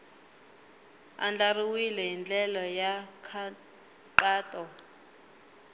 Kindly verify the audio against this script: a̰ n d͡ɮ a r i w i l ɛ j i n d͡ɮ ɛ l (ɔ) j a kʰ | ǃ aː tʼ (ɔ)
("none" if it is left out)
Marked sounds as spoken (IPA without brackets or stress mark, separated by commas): ɔ, ɔ